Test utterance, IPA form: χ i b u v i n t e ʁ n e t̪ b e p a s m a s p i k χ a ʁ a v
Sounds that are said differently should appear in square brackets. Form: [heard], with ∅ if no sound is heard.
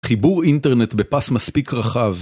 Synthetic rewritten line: χ i b u [ʁ] i n t e ʁ n e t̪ b e p a s m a s p i k [ʁ] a [χ] a v